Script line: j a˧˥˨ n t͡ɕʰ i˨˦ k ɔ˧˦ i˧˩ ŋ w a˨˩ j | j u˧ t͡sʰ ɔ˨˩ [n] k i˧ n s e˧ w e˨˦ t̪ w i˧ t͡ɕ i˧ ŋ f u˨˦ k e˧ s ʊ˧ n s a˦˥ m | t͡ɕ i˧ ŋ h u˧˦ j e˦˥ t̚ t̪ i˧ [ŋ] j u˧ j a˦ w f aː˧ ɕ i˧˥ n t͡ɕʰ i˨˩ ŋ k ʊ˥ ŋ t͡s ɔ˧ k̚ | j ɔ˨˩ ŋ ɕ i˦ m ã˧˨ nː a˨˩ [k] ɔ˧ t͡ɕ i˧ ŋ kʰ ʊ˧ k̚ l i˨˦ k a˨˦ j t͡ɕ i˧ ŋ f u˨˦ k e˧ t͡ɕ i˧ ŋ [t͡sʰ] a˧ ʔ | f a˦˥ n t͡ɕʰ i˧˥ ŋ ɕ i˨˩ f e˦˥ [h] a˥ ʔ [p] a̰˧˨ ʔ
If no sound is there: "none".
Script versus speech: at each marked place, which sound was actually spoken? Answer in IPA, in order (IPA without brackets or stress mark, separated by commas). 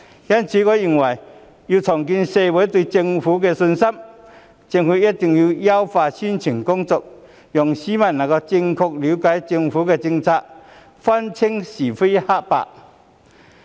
ŋ, ŋ, k, t͡sʰ, h, p